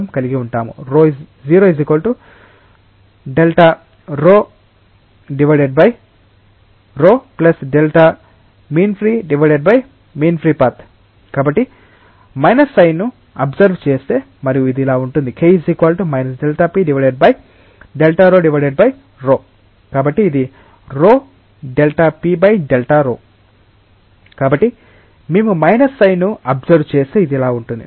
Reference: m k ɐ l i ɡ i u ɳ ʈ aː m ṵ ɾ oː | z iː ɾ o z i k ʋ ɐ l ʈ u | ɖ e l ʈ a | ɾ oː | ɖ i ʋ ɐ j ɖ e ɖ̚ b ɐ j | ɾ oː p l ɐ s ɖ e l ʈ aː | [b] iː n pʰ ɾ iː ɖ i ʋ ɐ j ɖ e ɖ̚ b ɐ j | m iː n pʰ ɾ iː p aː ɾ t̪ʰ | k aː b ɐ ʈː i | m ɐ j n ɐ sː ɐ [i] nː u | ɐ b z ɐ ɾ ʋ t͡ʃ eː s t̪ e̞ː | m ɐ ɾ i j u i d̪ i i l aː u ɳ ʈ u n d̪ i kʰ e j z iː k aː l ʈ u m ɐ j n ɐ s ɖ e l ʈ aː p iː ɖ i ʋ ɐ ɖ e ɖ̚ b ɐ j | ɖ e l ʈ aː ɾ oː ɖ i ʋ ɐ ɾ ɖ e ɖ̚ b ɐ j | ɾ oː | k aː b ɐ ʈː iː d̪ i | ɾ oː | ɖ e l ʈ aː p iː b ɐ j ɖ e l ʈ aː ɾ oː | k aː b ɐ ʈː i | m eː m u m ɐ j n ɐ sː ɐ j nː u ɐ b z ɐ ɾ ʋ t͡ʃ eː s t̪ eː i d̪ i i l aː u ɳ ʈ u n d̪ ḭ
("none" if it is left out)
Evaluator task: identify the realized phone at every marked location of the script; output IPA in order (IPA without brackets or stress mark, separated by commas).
m, j